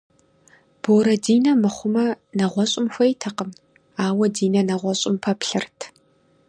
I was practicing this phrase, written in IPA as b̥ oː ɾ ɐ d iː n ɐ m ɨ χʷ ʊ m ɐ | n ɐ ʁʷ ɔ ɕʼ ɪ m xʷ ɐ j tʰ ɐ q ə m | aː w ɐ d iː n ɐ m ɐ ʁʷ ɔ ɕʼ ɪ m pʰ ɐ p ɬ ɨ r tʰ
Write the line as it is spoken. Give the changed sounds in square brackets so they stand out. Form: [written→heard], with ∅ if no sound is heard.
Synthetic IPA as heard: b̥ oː ɾ ɐ d iː n ɐ m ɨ χʷ ʊ m ɐ | n ɐ ʁʷ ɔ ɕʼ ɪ m xʷ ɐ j tʰ ɐ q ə m | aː w ɐ d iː n ɐ [m→n] ɐ ʁʷ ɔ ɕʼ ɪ m pʰ ɐ p ɬ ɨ r tʰ